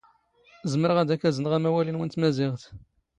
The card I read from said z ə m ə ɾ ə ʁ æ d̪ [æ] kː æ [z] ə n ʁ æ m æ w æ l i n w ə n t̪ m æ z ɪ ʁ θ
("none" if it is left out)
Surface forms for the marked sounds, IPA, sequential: æ, z

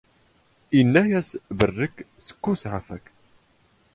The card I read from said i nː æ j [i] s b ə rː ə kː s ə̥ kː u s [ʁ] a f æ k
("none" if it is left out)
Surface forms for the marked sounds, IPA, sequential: æ, ʕ

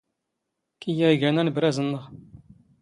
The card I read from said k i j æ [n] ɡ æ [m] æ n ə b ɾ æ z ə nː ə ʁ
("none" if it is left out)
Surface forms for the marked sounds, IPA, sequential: none, n

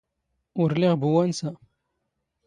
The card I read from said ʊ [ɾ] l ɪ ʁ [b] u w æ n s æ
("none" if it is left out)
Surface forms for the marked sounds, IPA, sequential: ɾ, b

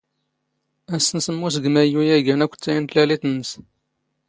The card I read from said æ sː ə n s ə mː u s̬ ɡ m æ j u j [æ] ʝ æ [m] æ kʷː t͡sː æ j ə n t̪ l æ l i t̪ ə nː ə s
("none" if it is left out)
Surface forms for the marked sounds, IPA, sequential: æ, n

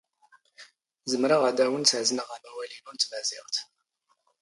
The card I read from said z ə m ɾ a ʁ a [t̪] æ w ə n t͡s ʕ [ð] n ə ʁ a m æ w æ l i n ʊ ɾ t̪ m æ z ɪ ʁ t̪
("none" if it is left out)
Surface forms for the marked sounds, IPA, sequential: d̪, z

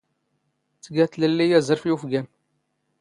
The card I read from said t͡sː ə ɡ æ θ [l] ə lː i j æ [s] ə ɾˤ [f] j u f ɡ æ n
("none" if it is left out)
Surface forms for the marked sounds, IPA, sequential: l, z, f

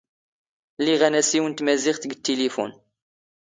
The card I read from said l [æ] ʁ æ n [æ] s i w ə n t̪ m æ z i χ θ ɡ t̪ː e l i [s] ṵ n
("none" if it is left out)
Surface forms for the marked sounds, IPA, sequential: i, æ, f

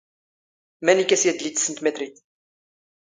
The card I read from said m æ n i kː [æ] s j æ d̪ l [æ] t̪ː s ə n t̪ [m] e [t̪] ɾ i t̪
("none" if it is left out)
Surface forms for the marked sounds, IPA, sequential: æ, i, m, t̪

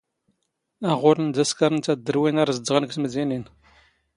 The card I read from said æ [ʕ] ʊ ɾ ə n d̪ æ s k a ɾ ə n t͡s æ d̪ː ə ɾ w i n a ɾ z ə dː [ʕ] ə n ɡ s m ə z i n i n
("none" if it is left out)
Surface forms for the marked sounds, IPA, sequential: ʁ, ʁ

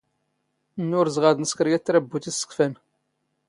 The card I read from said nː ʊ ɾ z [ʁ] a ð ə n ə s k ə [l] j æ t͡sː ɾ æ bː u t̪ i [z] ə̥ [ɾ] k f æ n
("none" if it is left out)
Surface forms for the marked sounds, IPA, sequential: ʁ, ɾ, s, none

